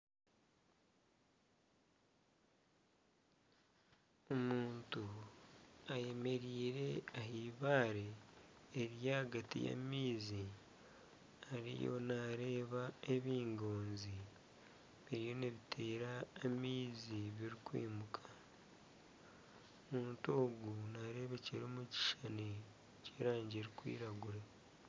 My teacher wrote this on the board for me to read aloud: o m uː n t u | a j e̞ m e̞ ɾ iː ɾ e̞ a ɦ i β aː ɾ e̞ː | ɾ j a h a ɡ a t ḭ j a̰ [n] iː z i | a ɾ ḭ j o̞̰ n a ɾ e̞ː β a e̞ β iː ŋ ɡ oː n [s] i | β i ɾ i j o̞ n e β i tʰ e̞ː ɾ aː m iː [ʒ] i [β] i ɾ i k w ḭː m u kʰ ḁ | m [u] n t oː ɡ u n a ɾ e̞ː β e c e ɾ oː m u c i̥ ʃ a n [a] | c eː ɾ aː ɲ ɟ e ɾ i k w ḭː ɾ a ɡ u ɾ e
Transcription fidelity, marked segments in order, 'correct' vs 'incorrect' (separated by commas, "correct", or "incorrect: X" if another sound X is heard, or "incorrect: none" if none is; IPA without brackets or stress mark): incorrect: m, incorrect: z, incorrect: z, correct, incorrect: uː, incorrect: e